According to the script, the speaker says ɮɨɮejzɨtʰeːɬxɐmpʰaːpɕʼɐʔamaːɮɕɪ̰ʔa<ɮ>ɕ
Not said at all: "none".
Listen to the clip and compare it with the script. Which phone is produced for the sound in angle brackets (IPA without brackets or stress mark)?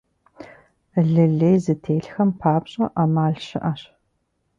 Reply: none